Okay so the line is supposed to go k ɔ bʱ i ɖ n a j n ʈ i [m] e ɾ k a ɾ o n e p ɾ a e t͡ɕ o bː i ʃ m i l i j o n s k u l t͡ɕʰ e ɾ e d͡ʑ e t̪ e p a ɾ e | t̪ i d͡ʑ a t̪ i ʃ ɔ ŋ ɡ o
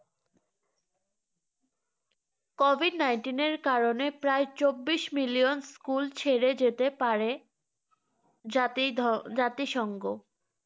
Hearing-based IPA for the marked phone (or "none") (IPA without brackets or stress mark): n